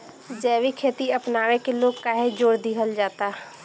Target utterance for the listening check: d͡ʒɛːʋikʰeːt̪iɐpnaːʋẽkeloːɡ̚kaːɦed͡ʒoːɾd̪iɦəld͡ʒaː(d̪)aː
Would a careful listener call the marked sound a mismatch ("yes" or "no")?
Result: yes